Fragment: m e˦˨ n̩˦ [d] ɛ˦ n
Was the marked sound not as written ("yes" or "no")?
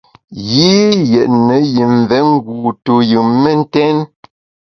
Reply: yes